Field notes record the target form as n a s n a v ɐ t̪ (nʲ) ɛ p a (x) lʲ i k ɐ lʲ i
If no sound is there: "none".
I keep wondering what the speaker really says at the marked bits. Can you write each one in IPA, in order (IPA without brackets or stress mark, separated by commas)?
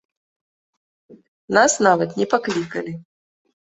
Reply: nʲ, k